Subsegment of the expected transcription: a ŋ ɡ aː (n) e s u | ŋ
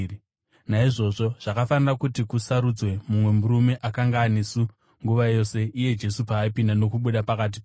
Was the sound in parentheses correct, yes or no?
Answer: yes